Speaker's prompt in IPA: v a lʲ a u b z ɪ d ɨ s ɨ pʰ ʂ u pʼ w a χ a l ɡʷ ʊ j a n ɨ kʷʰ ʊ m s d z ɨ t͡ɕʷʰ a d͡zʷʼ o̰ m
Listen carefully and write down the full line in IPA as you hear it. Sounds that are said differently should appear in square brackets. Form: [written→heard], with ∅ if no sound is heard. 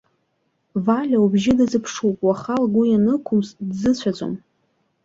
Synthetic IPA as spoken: v a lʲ a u b [z→ʒ] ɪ d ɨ [s→z] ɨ pʰ ʂ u pʼ w a χ a l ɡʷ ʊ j a n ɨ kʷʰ ʊ m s d z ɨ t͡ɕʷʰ a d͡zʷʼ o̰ m